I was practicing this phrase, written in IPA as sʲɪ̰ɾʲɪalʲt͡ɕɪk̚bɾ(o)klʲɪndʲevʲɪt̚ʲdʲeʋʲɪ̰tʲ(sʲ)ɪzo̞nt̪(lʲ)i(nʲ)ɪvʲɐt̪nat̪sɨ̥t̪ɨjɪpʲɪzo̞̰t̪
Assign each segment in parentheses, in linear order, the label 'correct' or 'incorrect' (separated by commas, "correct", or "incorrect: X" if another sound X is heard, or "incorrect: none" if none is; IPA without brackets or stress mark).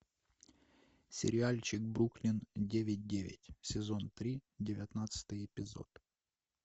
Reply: incorrect: u, correct, incorrect: ɾʲ, incorrect: dʲ